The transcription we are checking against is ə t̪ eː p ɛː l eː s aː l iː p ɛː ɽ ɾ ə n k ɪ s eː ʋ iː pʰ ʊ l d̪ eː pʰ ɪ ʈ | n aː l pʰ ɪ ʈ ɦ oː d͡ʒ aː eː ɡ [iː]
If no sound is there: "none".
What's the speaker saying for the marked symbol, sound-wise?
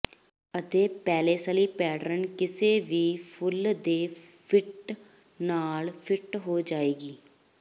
iː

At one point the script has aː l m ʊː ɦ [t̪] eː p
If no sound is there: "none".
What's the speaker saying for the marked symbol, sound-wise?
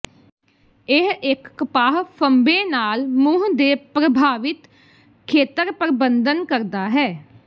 d̪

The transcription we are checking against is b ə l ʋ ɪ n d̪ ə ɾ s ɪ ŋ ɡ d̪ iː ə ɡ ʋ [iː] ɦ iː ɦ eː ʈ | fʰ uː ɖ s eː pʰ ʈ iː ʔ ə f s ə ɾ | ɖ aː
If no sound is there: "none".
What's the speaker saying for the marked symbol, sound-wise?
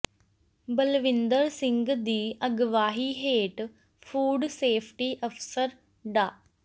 aː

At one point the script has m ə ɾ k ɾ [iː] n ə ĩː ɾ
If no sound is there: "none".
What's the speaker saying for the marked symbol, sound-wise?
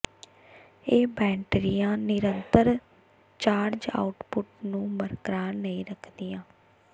aː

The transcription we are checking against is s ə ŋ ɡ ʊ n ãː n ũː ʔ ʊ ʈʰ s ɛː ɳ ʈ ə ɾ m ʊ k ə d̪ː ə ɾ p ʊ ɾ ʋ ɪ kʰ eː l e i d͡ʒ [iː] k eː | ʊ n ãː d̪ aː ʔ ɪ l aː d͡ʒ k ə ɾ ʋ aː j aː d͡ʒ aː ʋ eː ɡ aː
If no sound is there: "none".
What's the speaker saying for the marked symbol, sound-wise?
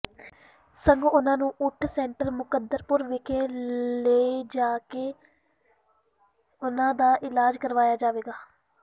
aː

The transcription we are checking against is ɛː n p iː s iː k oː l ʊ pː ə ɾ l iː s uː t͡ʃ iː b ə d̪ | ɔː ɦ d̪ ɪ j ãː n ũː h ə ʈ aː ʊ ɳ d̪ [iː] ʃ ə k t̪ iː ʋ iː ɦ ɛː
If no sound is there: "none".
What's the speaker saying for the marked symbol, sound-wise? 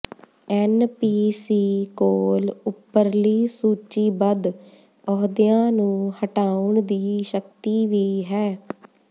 iː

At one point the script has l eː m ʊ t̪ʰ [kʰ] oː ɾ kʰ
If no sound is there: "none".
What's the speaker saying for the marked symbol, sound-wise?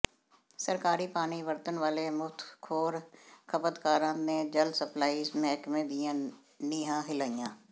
kʰ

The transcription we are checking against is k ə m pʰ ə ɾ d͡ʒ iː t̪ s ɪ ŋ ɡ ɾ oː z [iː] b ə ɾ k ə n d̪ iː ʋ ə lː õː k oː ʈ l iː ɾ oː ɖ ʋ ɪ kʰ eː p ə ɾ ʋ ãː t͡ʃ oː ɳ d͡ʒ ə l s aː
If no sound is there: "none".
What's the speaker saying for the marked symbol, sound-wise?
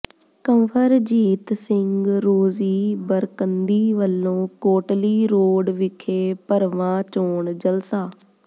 iː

